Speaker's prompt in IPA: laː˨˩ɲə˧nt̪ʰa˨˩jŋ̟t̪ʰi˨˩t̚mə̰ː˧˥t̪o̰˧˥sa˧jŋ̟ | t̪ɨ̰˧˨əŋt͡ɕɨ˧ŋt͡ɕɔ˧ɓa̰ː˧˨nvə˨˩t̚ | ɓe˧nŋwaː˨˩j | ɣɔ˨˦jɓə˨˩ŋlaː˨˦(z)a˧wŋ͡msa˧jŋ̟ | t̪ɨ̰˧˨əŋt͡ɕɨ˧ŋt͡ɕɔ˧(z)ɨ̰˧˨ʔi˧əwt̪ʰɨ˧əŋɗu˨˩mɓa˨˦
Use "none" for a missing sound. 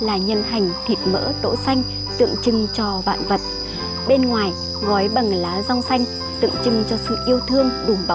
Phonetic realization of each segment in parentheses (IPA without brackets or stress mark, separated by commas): z, s